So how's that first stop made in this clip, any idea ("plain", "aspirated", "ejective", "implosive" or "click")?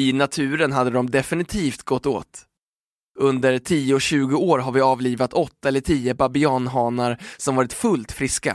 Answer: aspirated